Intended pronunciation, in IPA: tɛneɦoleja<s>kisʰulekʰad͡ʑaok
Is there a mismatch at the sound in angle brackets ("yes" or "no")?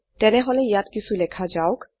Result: yes